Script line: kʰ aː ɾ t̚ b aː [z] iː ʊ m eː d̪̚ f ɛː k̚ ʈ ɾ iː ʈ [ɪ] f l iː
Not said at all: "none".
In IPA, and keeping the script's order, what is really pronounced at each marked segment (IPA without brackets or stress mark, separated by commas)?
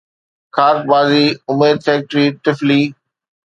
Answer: z, ɪ